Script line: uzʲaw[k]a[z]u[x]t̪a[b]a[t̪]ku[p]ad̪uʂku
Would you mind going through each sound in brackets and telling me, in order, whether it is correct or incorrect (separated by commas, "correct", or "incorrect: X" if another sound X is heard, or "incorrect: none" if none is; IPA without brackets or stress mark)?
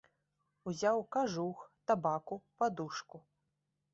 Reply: correct, incorrect: ʐ, correct, correct, incorrect: none, correct